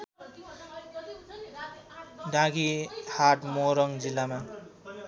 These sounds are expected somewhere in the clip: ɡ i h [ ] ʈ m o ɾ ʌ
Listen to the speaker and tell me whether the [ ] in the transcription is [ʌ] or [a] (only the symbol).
a